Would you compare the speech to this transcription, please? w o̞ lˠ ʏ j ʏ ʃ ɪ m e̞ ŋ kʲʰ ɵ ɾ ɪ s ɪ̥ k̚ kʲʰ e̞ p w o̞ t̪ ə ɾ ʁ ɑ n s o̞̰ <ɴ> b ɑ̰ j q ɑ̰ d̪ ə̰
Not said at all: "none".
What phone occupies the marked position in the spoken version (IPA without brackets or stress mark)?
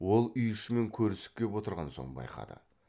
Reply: ɴ